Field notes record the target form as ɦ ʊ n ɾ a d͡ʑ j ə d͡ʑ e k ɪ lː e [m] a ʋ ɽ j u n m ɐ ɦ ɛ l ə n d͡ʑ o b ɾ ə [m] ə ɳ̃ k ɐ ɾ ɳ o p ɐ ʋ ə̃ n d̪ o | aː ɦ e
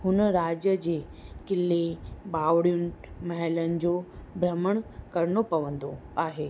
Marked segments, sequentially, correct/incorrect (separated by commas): incorrect, correct